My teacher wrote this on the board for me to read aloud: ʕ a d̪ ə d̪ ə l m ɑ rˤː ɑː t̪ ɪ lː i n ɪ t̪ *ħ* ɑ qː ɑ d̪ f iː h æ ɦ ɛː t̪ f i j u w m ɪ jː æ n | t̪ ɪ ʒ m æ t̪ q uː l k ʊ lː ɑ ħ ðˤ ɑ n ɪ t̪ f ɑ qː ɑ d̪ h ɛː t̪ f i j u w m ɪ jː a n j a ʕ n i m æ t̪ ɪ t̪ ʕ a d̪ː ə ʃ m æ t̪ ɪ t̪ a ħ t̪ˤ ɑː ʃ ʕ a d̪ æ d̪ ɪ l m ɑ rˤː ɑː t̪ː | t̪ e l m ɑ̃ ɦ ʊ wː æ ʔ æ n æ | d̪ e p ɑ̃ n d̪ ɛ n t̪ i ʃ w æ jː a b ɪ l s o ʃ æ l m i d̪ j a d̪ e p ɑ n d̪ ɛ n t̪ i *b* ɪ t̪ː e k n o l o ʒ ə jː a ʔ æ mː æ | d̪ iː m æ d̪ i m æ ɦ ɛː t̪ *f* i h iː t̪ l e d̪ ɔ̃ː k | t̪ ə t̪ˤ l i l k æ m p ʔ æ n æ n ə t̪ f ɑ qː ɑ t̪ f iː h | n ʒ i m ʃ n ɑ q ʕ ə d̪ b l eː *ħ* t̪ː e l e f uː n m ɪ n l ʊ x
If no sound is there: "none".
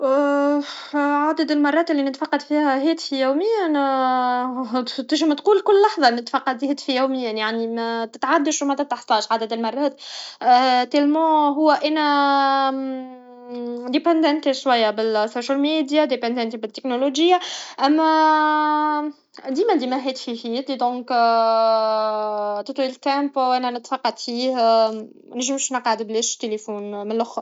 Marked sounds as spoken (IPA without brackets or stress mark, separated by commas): f, b, f, ʃ